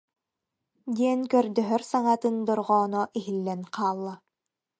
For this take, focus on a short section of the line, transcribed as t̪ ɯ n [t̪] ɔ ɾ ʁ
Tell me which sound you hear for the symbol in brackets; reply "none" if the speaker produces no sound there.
d̪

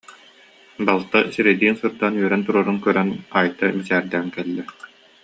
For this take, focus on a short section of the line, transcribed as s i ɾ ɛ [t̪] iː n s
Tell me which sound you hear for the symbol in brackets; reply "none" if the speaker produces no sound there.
d̪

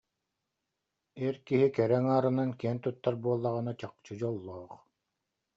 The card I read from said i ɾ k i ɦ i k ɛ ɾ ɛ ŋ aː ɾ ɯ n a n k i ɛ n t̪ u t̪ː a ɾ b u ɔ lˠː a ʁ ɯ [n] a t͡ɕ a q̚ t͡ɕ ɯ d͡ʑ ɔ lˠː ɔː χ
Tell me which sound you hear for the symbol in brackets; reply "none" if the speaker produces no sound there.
n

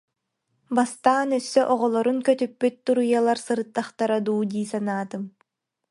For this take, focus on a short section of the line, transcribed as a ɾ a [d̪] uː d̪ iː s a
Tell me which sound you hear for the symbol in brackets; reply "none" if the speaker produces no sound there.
d̪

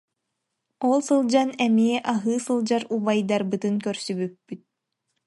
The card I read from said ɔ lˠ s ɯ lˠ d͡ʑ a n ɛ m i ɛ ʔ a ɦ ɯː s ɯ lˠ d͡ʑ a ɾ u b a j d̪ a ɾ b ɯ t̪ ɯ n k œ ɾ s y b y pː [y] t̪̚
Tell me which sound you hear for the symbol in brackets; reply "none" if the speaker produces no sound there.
y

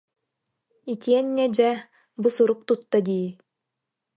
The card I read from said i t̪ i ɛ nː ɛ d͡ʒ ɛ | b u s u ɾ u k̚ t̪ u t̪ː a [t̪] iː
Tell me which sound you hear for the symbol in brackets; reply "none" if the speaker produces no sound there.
d̪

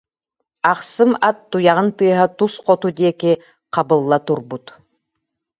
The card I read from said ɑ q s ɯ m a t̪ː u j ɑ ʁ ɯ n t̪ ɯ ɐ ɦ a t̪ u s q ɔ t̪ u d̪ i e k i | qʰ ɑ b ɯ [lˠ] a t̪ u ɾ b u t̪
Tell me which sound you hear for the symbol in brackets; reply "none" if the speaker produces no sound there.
lˠː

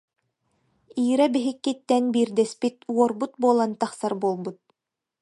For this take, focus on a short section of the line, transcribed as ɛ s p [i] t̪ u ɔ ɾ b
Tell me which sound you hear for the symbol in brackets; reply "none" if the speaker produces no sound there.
i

